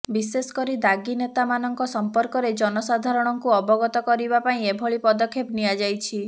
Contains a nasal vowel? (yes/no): yes